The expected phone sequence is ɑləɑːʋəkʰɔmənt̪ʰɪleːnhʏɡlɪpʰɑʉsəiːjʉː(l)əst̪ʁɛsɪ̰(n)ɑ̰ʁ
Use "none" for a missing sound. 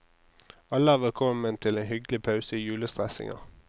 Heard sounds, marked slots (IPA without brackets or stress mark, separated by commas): l, ŋ